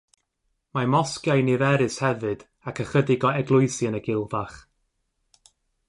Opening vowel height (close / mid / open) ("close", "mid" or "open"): open